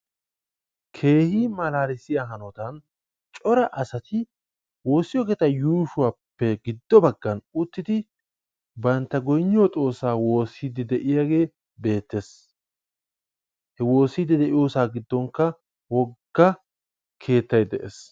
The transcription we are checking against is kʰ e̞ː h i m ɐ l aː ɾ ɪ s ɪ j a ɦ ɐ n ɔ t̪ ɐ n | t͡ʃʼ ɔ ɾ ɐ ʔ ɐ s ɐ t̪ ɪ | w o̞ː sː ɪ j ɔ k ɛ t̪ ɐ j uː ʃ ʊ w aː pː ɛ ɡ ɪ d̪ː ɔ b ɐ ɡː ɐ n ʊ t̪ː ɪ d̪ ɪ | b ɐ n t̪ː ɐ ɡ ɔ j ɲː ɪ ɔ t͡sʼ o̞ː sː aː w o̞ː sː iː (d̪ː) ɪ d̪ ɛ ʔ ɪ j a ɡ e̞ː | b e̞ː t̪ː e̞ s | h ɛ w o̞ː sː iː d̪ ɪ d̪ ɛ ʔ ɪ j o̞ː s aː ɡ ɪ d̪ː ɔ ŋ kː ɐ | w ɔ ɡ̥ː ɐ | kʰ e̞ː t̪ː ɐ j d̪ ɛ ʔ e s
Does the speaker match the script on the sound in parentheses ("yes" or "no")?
no